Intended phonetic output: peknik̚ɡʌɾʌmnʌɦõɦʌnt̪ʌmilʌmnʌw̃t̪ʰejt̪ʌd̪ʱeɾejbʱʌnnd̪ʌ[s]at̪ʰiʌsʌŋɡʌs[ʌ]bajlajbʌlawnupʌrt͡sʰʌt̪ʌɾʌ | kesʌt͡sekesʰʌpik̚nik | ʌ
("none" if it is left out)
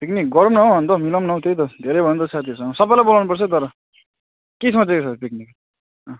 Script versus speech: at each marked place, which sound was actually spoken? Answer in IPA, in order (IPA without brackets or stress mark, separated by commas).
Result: s, ʌ